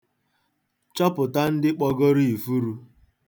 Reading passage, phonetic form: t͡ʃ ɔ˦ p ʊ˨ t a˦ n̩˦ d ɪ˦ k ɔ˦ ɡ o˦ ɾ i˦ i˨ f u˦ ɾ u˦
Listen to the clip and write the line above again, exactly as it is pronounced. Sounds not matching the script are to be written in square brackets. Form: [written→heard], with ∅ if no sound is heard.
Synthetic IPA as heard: t͡ʃ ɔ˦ p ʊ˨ t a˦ n̩˦ d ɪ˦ [k→k͡p] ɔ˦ ɡ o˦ ɾ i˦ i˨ f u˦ ɾ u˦